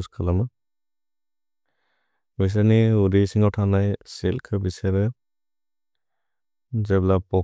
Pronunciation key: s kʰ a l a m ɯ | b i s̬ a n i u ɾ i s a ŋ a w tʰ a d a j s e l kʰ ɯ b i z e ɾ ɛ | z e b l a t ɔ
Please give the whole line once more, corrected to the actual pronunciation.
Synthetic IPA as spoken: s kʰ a l a m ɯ | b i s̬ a n i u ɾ i s i ŋ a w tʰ a n a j s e l kʰ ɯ b i s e ɾ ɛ | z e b l a p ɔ